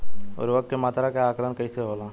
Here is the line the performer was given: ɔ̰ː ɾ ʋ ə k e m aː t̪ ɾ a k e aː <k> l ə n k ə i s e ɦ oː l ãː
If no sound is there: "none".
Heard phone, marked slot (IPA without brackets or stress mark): k